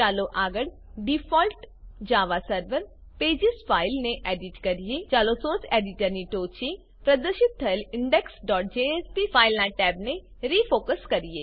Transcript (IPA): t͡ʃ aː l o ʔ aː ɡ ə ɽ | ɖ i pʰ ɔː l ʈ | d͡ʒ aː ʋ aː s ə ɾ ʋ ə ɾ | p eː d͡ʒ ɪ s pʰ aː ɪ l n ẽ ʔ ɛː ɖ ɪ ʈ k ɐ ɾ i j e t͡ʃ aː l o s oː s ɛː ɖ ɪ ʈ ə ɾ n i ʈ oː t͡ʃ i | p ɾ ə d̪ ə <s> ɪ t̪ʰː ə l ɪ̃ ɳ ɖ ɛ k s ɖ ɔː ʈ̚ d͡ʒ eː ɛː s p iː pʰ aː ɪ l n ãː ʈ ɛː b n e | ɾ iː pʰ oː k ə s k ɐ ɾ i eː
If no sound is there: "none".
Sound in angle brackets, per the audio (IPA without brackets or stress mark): ʃ